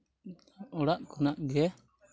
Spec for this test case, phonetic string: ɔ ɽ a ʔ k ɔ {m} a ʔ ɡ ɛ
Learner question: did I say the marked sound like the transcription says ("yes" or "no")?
no